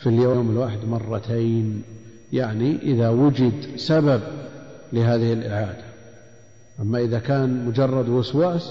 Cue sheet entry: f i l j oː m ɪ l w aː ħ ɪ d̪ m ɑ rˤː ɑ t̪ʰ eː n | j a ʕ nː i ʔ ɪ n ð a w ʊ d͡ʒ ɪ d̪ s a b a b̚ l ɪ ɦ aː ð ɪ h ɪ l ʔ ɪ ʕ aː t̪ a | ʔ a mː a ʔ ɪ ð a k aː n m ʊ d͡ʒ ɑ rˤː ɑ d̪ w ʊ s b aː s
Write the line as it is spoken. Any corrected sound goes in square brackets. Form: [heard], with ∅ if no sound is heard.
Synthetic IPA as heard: f i l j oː m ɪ l w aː ħ ɪ d̪ m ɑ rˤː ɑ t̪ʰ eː n | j a ʕ [n] i ʔ ɪ [∅] ð a w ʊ d͡ʒ ɪ d̪ s a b a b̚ l ɪ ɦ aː ð ɪ h ɪ l ʔ ɪ ʕ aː [d̪] a | ʔ a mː a ʔ ɪ ð a k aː n m ʊ d͡ʒ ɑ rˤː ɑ d̪ w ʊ s [w] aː s